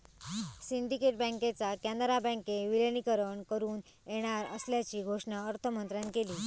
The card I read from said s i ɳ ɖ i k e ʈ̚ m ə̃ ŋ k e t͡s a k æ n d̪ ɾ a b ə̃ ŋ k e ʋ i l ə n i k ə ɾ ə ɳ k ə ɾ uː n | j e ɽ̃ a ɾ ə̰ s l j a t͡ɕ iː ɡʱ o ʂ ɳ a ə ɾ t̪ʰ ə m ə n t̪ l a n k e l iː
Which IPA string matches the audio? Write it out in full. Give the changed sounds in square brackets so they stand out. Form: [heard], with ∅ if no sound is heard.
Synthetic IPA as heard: s i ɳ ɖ i k e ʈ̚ [b] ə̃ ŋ k e t͡s a k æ n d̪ ɾ a b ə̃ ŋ k e ʋ i l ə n i k ə ɾ ə ɳ k ə ɾ uː n | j e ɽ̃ a ɾ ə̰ s l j a t͡ɕ iː ɡʱ o ʂ ɳ a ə ɾ t̪ʰ ə m ə n t̪ [ɾ] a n k e l iː